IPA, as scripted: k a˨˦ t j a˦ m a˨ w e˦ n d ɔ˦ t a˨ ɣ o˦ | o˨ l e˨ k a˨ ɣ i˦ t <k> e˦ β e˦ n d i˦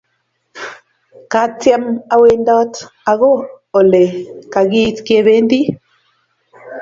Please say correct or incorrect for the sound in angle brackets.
correct